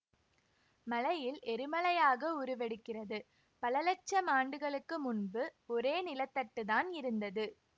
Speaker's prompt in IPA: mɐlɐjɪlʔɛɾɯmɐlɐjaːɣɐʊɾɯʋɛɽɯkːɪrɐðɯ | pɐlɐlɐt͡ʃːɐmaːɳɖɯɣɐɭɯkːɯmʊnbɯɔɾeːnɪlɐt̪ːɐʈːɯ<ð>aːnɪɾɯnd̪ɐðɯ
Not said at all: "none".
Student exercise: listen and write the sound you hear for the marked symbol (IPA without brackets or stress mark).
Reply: ð